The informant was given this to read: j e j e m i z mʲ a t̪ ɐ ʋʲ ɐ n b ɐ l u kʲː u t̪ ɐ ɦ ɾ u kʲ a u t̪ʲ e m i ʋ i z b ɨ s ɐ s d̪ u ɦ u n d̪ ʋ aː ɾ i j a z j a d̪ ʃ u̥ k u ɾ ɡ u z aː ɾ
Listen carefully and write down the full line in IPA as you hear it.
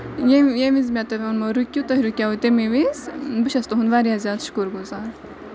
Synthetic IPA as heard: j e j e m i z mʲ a t̪ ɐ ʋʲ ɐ n m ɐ ɾ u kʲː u t̪ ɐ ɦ ɾ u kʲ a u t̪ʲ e m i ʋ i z b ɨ ʃ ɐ s t̪ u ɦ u n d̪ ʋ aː ɾ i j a z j a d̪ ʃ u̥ k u ɾ ɡ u z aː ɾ